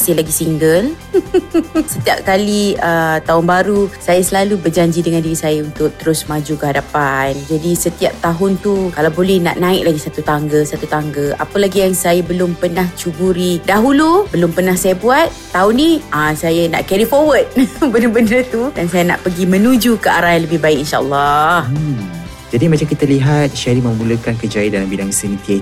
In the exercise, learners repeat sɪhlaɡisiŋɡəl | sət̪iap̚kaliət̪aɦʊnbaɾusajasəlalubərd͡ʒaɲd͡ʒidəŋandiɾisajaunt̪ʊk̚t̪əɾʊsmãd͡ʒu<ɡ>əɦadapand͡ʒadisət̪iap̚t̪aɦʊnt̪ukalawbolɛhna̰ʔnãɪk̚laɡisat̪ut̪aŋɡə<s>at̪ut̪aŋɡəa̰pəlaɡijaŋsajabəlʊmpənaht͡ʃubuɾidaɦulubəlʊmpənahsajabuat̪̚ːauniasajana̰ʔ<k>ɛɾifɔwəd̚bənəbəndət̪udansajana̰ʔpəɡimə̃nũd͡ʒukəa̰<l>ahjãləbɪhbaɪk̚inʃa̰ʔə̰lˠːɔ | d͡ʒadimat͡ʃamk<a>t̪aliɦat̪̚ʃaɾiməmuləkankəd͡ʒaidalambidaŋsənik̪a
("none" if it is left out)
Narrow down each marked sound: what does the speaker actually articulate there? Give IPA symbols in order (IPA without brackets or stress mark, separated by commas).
k, s, k, ɾ, i